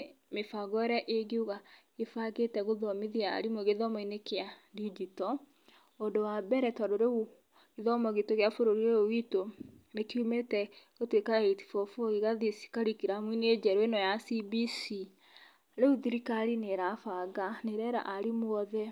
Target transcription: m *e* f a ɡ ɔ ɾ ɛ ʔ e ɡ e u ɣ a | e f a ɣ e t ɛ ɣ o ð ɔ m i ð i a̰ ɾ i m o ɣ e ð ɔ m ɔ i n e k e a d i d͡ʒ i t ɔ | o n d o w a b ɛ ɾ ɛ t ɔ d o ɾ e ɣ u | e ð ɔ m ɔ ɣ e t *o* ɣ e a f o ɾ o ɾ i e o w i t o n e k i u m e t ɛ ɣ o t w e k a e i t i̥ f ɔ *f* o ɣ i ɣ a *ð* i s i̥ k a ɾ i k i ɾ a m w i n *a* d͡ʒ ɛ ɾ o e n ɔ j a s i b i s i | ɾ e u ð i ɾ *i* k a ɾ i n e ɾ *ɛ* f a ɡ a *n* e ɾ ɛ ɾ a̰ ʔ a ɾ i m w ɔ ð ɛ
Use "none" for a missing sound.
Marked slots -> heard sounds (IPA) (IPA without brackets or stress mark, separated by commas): e, o, f, ð, e, i, a, n